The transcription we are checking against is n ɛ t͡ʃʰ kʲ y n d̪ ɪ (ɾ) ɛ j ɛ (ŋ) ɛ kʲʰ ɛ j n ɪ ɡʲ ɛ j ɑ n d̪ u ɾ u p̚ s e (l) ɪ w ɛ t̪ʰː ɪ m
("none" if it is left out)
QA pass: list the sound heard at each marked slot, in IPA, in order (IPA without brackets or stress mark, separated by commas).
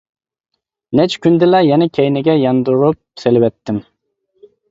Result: l, n, l